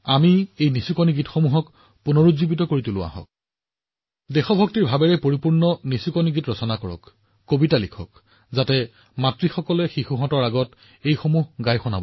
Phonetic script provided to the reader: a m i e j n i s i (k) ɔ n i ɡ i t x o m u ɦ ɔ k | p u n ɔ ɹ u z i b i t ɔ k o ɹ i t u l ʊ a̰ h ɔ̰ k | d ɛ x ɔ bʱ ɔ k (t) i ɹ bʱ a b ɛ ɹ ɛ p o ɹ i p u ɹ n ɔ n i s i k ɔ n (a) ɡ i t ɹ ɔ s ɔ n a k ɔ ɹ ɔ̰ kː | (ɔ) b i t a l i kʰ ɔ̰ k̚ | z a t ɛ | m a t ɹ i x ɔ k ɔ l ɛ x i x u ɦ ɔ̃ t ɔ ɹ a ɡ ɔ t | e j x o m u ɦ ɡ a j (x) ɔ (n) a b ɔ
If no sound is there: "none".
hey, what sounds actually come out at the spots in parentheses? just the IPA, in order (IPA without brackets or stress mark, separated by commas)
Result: k, t, i, o, x, n